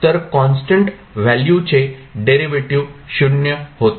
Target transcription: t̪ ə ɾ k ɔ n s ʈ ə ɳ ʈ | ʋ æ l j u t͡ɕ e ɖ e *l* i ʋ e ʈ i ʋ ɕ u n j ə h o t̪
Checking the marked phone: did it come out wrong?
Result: yes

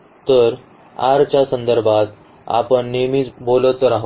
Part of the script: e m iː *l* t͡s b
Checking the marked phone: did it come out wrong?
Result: yes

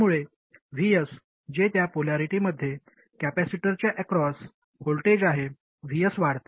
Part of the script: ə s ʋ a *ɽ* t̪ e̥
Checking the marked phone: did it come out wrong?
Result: no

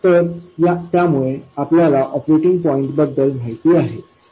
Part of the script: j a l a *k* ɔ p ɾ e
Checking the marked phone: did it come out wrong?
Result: yes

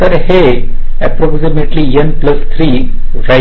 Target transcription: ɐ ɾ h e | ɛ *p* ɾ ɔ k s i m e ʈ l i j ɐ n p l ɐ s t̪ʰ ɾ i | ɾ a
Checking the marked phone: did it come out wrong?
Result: no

